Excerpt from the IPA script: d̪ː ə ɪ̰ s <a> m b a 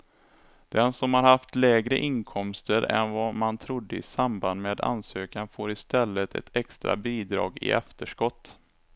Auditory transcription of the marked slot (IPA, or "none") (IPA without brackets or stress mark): a